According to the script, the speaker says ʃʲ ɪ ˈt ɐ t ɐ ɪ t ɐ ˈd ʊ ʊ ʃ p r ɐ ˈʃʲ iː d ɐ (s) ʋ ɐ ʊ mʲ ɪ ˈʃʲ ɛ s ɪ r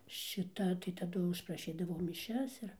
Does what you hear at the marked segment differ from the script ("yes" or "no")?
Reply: yes